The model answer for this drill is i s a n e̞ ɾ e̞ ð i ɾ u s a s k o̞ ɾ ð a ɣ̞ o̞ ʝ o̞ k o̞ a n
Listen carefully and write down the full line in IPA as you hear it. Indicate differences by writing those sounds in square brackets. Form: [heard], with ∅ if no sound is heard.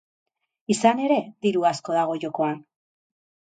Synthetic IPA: i s a n e̞ ɾ e̞ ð i ɾ u [∅] a s k o̞ [∅] ð a ɣ̞ o̞ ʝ o̞ k o̞ a n